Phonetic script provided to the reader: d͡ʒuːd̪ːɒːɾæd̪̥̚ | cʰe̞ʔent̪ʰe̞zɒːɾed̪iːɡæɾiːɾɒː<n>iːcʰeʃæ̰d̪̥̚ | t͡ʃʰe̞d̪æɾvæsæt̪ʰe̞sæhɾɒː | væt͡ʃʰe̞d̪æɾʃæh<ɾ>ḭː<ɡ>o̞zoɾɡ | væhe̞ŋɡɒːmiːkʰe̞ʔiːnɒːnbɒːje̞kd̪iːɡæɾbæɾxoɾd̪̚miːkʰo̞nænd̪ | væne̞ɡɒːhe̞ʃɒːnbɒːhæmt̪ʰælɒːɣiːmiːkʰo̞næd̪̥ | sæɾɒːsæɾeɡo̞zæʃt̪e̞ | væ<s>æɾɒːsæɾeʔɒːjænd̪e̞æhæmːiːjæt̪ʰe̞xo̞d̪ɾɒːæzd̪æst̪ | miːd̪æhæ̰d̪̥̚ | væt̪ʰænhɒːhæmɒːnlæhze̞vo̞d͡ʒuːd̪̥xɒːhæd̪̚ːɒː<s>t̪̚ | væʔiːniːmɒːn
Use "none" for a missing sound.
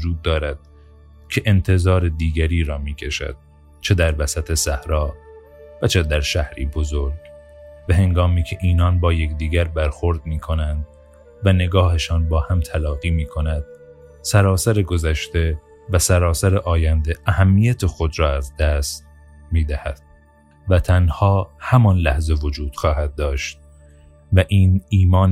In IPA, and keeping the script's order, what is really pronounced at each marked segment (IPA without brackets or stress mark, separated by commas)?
m, ɾ, b, s, ʃ